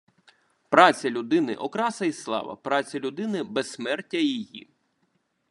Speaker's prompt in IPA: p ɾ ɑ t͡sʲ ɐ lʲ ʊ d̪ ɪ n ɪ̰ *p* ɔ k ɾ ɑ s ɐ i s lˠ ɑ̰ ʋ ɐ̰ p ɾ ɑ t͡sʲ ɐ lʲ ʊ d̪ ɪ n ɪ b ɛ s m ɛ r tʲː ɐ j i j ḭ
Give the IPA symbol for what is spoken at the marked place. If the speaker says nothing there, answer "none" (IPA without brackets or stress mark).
ʔ